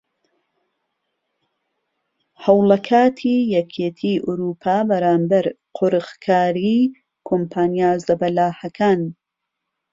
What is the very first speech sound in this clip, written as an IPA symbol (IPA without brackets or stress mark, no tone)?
h